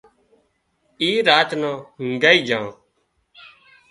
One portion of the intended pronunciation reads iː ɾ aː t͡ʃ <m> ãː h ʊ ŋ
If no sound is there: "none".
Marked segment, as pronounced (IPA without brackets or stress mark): n